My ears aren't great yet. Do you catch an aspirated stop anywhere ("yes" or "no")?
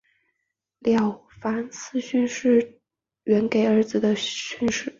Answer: no